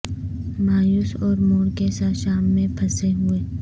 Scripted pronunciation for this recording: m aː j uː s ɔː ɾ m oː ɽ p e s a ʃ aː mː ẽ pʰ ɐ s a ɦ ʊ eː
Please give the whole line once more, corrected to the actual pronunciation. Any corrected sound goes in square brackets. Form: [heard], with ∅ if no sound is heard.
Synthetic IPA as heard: m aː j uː s ɔː ɾ m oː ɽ [k] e s a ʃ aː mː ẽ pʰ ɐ s [e] ɦ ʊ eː